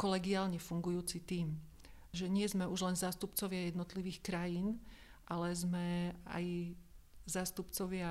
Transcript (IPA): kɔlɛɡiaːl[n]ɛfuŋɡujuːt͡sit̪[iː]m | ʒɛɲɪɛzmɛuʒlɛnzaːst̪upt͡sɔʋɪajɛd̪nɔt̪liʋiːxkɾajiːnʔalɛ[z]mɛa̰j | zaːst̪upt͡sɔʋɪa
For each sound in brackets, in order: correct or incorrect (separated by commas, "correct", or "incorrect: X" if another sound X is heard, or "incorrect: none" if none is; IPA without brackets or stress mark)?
incorrect: ɲ, correct, correct